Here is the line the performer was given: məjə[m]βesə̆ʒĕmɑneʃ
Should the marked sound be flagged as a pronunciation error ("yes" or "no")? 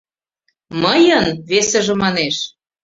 yes